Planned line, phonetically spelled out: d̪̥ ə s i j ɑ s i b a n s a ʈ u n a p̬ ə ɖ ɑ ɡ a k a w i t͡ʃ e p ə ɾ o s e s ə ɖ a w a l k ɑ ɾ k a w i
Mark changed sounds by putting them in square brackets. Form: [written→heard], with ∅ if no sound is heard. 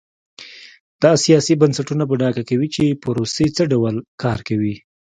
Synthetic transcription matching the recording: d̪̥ [ə→ɑ] s i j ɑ s i b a n s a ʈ u n a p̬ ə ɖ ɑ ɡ a k a w i t͡ʃ e p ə ɾ o s e [s→t͡s] ə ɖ a w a l k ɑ ɾ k a w i